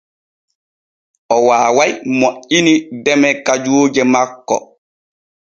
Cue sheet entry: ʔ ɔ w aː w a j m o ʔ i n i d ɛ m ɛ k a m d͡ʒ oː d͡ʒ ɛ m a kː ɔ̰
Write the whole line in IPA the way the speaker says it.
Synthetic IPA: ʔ ɔ w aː w a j m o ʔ i n i d ɛ m ɛ k a d͡ʒ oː d͡ʒ ɛ m a kː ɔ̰